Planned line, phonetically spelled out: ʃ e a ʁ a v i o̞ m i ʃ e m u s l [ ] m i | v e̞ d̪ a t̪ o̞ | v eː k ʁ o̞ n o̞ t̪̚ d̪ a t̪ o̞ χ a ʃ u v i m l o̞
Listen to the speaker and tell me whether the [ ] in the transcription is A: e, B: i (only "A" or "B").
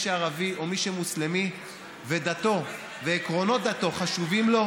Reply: A